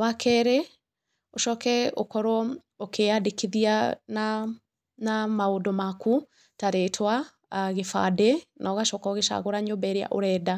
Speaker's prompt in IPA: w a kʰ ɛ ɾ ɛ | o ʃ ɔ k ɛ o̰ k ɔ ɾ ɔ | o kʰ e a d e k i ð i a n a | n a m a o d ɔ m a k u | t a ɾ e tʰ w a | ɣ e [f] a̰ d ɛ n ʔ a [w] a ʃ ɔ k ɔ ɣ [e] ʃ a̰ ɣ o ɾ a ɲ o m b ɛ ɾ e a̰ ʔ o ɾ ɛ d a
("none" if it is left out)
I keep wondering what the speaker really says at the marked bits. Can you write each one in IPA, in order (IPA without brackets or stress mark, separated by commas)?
f, ɣ, e